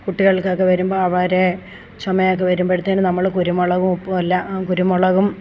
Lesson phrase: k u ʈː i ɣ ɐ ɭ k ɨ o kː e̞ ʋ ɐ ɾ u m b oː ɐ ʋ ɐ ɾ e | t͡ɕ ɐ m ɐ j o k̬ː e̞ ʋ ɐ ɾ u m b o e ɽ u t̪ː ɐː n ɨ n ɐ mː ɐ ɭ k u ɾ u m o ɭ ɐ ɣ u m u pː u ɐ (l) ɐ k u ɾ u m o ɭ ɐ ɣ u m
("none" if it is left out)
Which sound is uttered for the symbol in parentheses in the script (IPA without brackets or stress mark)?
lː